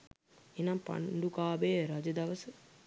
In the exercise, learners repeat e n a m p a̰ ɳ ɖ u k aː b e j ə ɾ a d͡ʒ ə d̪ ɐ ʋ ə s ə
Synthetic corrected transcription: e n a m p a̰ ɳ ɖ u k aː b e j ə ɾ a d͡ʒ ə d̪ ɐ ʋ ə s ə